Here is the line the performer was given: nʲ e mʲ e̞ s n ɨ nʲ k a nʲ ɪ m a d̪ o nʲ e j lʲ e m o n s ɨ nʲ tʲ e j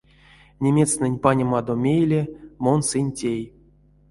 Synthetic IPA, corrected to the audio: nʲ e mʲ e̞ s n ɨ nʲ p a nʲ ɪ m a d̪ o mʲ e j lʲ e m o n s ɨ nʲ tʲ e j